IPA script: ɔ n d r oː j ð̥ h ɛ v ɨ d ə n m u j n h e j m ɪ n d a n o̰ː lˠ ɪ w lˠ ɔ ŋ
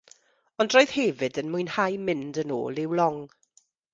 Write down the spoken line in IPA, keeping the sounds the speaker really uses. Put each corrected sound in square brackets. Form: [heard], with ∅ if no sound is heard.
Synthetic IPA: ɔ n d r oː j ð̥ h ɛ v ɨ d ə n m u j n h [a] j m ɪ n d [ə] n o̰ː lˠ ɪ w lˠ ɔ ŋ